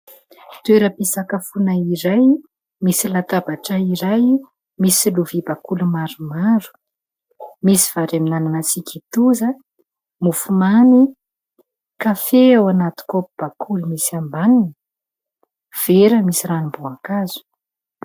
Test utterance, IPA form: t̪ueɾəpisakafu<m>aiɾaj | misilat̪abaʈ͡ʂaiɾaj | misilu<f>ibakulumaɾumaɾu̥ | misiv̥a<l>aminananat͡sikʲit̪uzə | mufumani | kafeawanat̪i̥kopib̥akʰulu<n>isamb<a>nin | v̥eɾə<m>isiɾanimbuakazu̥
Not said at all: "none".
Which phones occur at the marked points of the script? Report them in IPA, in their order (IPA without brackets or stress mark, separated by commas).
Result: n, v, ɾ, m, a, m